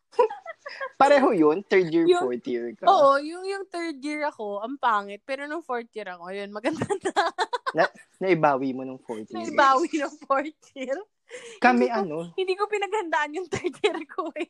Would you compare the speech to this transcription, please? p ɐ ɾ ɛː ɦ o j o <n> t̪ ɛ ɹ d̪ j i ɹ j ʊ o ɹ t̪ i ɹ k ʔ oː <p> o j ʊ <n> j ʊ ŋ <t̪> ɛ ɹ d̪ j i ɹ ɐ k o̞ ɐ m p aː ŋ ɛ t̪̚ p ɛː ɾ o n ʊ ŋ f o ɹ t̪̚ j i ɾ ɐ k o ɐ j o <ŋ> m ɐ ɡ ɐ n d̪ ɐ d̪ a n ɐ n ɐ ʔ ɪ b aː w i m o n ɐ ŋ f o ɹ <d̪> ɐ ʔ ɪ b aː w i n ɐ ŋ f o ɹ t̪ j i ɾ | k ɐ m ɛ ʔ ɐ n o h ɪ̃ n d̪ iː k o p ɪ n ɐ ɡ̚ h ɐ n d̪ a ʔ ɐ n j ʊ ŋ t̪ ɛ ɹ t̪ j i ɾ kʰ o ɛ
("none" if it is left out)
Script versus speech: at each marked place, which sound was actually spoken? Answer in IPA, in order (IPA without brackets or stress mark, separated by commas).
n, ʔ, ŋ, t̪, n, t̪